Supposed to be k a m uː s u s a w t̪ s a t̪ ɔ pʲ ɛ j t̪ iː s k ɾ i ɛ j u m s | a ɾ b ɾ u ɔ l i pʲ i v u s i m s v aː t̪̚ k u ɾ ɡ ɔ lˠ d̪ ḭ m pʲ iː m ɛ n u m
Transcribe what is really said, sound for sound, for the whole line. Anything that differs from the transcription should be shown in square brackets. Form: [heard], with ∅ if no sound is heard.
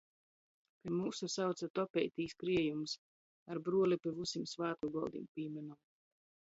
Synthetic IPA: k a m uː s u s a w t̪ s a t̪ ɔ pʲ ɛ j t̪ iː s k ɾ i ɛ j u m s | a ɾ b ɾ u ɔ l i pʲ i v u s i m s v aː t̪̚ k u [∅] ɡ ɔ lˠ d̪ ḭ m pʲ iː m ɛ n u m